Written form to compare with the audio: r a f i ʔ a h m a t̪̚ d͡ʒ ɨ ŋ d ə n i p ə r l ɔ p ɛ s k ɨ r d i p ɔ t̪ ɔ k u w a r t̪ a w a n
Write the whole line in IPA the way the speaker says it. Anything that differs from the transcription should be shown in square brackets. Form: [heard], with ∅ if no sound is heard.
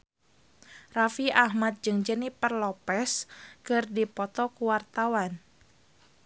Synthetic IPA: r a f i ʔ a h m a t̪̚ d͡ʒ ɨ ŋ [d͡ʒ] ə n i p ə r l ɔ p ɛ s k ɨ r d i p ɔ t̪ ɔ k u w a r t̪ a w a n